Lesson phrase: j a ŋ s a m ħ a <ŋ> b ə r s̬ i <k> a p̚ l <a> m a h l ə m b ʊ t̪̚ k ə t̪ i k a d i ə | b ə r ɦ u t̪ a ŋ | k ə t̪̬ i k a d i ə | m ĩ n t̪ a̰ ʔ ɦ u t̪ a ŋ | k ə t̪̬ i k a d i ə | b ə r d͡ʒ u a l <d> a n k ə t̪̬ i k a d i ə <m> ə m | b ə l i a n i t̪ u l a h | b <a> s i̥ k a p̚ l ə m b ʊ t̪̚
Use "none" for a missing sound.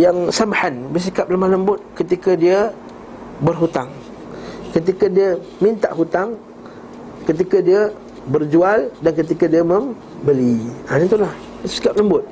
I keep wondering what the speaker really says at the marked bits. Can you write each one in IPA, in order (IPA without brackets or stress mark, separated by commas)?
n, k, ə, d, m, ə